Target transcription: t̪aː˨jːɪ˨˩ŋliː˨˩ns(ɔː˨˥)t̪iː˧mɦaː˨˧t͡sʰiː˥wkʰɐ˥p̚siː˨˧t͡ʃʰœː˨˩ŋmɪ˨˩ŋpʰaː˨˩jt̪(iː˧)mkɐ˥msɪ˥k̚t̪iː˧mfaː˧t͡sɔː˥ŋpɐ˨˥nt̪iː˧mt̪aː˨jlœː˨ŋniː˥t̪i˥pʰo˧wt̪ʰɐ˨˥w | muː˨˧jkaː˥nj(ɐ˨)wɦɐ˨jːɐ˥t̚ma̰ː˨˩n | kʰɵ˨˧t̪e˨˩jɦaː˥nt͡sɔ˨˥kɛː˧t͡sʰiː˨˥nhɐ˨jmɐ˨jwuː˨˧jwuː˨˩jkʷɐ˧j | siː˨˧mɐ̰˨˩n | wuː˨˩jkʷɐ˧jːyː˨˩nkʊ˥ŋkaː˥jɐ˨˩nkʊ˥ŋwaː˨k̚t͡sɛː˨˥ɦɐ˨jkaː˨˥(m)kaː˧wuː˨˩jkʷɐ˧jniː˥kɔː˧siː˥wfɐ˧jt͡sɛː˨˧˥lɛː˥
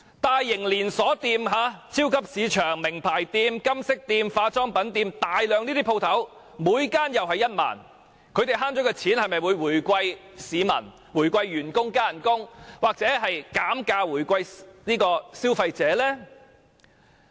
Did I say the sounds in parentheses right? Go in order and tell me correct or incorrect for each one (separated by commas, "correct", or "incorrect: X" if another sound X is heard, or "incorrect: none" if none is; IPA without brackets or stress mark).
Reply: correct, correct, correct, correct